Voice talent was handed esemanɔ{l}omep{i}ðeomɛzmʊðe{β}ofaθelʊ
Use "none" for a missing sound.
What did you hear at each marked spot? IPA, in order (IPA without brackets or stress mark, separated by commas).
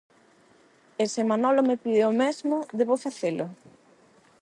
l, i, β